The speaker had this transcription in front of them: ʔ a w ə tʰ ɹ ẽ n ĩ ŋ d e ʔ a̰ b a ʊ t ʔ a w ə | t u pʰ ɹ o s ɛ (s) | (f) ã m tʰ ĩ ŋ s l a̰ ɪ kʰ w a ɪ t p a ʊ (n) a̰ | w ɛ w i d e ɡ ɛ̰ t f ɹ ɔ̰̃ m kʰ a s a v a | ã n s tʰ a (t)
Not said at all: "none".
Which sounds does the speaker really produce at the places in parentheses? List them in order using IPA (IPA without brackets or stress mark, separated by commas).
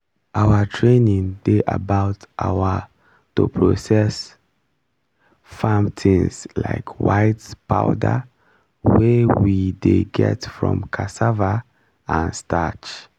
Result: s, f, d, t͡ʃ